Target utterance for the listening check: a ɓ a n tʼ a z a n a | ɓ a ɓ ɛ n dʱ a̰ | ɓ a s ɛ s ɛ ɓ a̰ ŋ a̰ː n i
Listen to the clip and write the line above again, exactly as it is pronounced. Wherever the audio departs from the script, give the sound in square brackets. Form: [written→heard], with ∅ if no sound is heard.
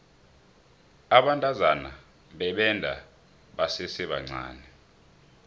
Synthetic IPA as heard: a ɓ a n tʼ a z a n a | ɓ [a→ɛ] ɓ ɛ n dʱ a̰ | ɓ a s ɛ s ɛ ɓ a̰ [ŋ→ŋ͡ǀ] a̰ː n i